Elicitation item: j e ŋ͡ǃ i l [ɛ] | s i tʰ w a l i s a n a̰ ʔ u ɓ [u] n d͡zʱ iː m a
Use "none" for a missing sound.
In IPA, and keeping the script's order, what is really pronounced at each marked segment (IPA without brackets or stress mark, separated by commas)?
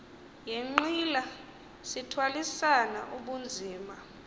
a, u